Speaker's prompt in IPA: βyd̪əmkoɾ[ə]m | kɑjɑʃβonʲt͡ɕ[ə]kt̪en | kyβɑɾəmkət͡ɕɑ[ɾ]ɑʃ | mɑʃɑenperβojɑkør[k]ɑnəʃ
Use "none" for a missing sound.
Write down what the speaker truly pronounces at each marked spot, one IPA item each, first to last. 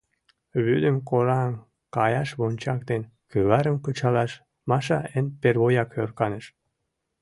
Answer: ɑ, ɑ, l, k

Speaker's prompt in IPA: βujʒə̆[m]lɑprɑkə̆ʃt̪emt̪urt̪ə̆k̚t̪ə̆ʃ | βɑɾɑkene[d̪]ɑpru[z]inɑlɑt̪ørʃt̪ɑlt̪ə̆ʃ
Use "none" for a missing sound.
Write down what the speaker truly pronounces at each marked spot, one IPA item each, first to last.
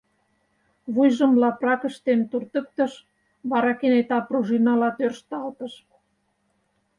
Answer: m, t̪, ʒ

